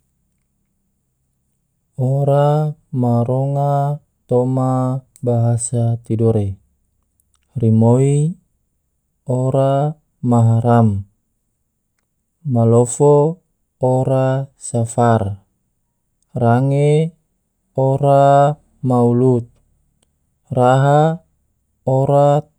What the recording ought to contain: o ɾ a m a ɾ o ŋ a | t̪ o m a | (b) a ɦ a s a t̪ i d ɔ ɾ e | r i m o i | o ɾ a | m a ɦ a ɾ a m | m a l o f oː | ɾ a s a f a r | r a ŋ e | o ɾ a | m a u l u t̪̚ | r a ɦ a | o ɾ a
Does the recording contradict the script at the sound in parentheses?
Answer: no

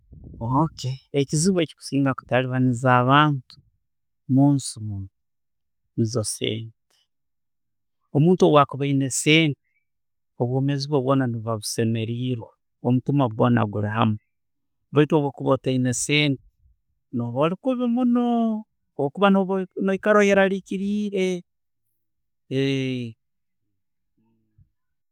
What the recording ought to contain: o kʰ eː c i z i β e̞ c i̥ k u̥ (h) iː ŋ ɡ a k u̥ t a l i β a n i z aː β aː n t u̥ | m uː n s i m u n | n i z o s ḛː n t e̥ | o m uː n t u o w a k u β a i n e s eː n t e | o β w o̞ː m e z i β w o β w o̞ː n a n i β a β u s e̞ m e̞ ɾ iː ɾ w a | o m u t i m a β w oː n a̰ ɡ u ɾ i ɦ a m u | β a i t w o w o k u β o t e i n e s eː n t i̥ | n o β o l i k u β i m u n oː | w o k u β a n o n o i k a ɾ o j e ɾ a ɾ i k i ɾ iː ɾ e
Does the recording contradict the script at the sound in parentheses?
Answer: yes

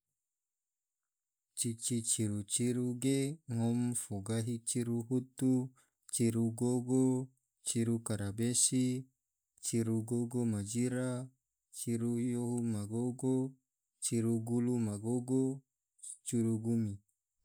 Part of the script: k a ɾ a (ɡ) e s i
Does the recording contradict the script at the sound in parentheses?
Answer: yes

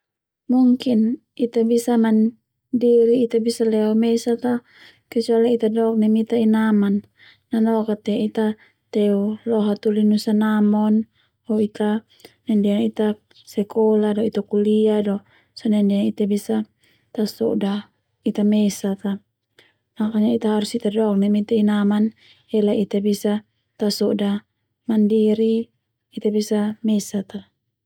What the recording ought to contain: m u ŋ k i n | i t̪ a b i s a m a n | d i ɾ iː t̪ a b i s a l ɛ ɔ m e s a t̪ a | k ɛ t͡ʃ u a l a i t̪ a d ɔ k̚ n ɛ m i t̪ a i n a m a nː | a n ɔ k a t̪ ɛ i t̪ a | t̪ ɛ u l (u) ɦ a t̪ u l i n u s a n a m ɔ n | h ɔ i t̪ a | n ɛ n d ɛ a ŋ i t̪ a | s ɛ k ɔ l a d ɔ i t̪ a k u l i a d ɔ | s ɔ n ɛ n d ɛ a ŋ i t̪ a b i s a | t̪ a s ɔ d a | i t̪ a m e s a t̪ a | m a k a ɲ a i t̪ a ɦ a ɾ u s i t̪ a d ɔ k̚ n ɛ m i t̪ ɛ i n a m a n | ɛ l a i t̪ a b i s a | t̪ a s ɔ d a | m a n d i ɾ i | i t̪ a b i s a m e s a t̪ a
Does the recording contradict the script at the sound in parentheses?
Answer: yes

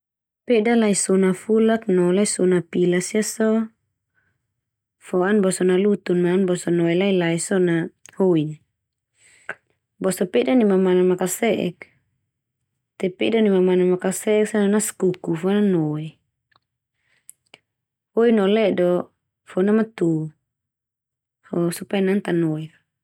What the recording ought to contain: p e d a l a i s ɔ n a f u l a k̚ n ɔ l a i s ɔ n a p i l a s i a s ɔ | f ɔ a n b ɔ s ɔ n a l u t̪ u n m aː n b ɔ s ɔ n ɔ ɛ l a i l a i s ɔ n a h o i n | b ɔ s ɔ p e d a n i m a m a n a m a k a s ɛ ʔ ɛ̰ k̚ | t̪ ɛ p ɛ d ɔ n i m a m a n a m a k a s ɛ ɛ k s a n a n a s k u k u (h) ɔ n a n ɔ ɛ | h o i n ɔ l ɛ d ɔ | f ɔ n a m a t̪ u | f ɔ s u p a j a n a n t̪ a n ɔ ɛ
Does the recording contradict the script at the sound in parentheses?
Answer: yes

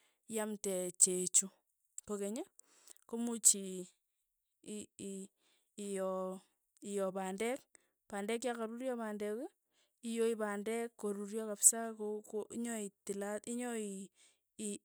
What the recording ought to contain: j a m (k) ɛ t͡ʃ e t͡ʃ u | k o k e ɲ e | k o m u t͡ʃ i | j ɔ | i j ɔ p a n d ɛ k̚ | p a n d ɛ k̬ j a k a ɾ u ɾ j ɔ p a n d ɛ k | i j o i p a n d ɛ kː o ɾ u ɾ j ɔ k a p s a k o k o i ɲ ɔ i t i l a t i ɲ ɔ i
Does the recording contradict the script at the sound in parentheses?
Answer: yes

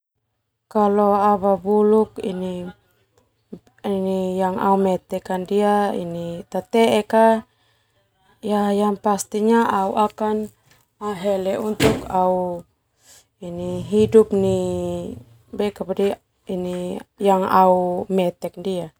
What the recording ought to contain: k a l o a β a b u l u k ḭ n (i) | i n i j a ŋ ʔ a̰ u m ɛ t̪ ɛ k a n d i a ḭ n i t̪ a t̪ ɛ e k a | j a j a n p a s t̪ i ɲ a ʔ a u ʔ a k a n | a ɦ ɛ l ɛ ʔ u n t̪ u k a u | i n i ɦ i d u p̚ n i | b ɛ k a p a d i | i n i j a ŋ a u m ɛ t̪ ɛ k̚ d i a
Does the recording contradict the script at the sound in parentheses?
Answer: no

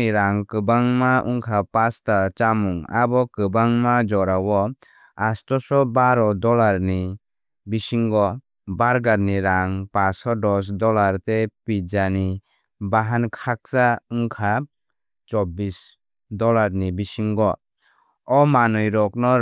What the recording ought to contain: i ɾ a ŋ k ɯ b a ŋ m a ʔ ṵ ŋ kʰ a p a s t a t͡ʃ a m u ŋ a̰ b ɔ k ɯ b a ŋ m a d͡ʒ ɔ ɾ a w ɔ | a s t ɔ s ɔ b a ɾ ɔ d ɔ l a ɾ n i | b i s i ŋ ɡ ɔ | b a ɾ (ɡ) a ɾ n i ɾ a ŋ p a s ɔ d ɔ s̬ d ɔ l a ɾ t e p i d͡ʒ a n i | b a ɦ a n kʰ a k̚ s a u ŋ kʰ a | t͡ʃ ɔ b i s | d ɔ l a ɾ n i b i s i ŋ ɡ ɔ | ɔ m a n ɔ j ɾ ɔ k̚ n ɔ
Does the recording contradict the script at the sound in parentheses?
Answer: no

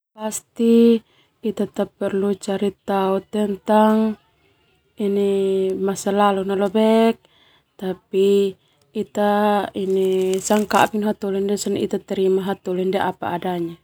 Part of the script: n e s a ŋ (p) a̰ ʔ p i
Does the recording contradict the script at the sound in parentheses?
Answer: yes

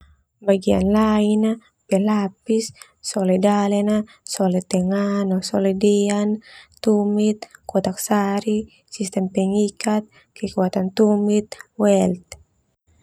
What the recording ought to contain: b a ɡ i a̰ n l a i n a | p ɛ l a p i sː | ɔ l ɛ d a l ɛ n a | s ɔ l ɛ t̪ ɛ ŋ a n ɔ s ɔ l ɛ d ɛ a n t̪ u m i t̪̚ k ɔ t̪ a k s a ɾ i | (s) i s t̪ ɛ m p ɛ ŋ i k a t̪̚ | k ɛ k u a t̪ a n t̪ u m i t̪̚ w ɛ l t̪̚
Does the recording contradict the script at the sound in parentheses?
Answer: no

